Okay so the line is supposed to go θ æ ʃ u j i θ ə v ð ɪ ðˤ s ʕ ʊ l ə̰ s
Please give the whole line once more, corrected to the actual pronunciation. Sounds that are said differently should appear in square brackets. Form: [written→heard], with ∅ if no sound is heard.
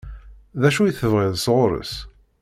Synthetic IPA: [θ→ð] æ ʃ u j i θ ə v [ð→ʁ] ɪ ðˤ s [ʕ→ʁ] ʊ [l→ɾ] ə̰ s